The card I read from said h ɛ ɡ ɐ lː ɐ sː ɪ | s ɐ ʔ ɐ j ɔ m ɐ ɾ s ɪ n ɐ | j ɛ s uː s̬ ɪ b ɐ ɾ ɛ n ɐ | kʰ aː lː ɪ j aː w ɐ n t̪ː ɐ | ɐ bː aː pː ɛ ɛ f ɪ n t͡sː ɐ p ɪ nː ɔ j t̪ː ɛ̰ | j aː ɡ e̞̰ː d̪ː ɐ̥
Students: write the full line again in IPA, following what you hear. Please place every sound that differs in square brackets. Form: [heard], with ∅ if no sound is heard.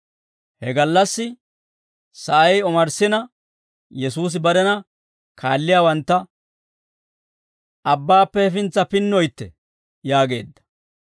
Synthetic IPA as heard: h ɛ ɡ ɐ lː ɐ sː ɪ | s ɐ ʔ ɐ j ɔ m ɐ ɾ s ɪ n ɐ | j ɛ s uː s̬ ɪ b ɐ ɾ ɛ n ɐ | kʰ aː lː ɪ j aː w ɐ n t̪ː ɐ | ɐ bː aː pː ɛ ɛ f ɪ n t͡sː ɐ p ɪ nː ɔ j t̪ː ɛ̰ | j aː ɡ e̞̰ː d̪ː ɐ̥

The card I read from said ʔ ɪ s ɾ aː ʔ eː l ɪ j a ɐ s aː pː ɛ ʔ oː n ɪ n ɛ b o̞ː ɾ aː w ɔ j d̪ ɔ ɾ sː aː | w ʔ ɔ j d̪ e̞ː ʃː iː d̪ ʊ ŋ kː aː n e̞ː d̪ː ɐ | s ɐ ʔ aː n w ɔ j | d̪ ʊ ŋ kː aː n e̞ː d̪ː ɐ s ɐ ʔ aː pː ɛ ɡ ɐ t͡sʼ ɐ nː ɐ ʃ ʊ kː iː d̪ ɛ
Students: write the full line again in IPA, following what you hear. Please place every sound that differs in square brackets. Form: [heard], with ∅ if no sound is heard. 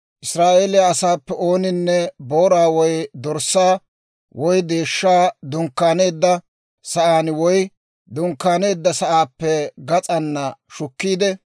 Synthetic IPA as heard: ʔ ɪ s ɾ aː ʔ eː l ɪ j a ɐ s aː pː ɛ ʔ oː n ɪ [nː] ɛ b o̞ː ɾ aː w ɔ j d̪ ɔ ɾ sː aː | w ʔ ɔ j d̪ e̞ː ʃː [aː] d̪ ʊ ŋ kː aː n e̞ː d̪ː ɐ | s ɐ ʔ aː n w ɔ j | d̪ ʊ ŋ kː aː n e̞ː d̪ː ɐ s ɐ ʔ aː pː ɛ ɡ ɐ t͡sʼ ɐ nː ɐ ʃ ʊ kː iː d̪ ɛ

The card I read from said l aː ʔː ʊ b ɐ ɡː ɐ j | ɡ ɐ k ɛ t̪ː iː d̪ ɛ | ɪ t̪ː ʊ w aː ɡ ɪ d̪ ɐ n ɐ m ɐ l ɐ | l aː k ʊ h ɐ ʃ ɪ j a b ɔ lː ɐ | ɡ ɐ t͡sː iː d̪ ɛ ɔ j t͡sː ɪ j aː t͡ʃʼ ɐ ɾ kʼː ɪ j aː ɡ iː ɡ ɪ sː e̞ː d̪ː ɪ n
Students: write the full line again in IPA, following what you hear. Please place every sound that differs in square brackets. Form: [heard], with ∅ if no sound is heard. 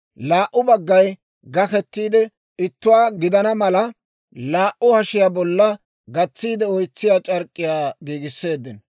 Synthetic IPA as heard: l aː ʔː ʊ b ɐ ɡː ɐ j | ɡ ɐ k ɛ t̪ː iː d̪ ɛ | ɪ t̪ː ʊ w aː ɡ ɪ d̪ ɐ n ɐ m ɐ l ɐ | l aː [ʔ] ʊ h ɐ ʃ ɪ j a b ɔ lː ɐ | ɡ ɐ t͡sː iː d̪ ɛ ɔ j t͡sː ɪ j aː t͡ʃʼ ɐ ɾ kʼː ɪ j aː ɡ iː ɡ ɪ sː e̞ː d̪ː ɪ n

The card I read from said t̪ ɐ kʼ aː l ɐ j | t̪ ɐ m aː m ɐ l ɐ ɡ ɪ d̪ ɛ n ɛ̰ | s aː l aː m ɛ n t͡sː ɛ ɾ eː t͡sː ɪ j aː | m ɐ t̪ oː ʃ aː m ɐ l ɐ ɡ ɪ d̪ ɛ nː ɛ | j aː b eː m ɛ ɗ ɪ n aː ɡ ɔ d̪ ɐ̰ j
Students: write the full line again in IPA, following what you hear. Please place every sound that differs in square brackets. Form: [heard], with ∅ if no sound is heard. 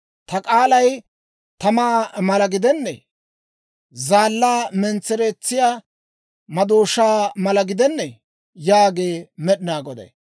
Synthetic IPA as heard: t̪ ɐ kʼ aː l ɐ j | t̪ ɐ m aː m ɐ l ɐ ɡ ɪ d̪ ɛ [nː] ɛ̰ | [z] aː [lː] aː m ɛ n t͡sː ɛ ɾ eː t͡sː ɪ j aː | m ɐ [d̪] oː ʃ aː m ɐ l ɐ ɡ ɪ d̪ ɛ nː ɛ | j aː [ɡ] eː m ɛ ɗ ɪ n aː ɡ ɔ d̪ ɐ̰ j

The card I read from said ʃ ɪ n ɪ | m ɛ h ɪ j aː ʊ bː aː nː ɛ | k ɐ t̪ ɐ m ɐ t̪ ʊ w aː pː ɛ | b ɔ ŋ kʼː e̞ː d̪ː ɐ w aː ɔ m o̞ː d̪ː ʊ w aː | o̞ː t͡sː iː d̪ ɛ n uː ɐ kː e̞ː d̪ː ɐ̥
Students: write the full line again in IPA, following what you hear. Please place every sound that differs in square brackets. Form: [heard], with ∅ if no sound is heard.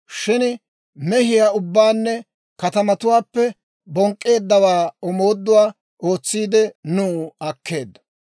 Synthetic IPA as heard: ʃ ɪ n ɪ | m ɛ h ɪ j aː ʊ bː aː nː ɛ | k ɐ t̪ ɐ m ɐ t̪ ʊ w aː pː ɛ | b ɔ ŋ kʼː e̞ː d̪ː ɐ w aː ɔ m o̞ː d̪ː ʊ w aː | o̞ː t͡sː iː d̪ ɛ n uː ɐ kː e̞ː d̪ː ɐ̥

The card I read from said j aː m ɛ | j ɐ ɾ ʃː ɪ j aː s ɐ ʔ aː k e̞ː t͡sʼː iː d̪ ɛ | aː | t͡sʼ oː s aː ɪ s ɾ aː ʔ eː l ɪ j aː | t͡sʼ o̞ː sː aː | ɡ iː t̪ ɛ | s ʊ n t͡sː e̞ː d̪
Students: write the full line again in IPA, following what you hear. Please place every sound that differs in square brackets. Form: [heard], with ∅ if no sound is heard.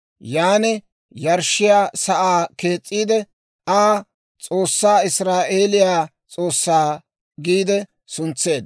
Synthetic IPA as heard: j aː [n] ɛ | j ɐ ɾ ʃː ɪ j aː s ɐ ʔ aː k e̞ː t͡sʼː iː d̪ ɛ | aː | t͡sʼ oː [sː] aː ɪ s ɾ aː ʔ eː l ɪ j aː | t͡sʼ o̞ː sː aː | ɡ iː [d̪] ɛ | s ʊ n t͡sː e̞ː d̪

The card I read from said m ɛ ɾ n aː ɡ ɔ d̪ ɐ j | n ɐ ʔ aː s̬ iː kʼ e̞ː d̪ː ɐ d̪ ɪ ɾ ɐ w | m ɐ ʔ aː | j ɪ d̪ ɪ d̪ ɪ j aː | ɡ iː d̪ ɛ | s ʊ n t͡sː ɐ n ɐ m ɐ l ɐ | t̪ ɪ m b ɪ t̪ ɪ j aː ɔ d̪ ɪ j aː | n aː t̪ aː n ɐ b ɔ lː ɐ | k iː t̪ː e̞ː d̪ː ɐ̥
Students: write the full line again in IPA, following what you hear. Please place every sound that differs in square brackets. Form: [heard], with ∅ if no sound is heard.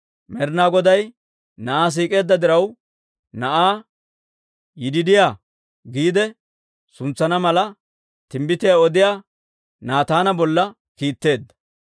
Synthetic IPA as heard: m ɛ ɾ n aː ɡ ɔ d̪ ɐ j | n ɐ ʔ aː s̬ iː kʼ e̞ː d̪ː ɐ d̪ ɪ ɾ ɐ w | [n] ɐ ʔ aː | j ɪ d̪ ɪ d̪ ɪ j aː | ɡ iː d̪ ɛ | s ʊ n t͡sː ɐ n ɐ m ɐ l ɐ | t̪ ɪ m b ɪ t̪ ɪ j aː ɔ d̪ ɪ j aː | n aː t̪ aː n ɐ b ɔ lː ɐ | k iː t̪ː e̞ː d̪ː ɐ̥

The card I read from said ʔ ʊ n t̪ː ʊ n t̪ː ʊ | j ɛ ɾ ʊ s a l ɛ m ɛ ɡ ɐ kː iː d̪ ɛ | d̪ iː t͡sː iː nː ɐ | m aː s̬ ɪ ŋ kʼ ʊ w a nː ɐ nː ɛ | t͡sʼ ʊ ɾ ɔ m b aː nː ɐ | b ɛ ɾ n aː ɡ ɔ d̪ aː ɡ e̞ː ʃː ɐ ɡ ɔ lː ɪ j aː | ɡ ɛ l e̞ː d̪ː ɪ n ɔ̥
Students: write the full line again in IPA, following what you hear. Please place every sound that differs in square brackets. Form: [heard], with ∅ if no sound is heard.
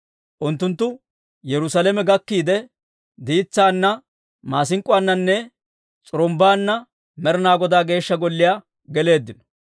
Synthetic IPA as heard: ʔ ʊ n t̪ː ʊ n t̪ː ʊ | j ɛ ɾ ʊ s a l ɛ m ɛ ɡ ɐ kː iː d̪ ɛ | d̪ iː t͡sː [aː] nː ɐ | m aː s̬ ɪ ŋ kʼ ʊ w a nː ɐ nː ɛ | t͡sʼ ʊ ɾ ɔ m b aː nː ɐ | [m] ɛ ɾ n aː ɡ ɔ d̪ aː ɡ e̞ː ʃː ɐ ɡ ɔ lː ɪ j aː | ɡ ɛ l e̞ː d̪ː ɪ n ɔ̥

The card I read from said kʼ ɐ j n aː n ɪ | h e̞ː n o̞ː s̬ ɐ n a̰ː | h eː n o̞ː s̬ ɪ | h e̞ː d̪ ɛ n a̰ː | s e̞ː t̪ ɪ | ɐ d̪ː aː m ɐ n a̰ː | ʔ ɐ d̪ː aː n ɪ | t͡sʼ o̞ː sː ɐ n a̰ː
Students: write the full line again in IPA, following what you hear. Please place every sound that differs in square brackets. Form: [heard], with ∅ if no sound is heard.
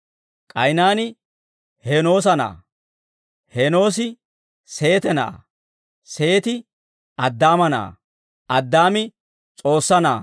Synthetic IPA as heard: kʼ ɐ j n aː n ɪ | h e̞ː n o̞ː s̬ ɐ n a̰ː | h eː n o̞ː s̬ ɪ | [s] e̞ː [t̪] ɛ n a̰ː | s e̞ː t̪ ɪ | ɐ d̪ː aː m ɐ n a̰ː | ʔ ɐ d̪ː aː [m] ɪ | t͡sʼ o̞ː sː ɐ n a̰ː

